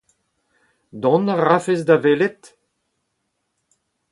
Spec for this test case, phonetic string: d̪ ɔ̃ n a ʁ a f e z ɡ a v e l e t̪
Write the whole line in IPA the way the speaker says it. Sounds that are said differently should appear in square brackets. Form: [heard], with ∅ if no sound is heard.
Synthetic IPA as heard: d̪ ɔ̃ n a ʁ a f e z [d] a v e l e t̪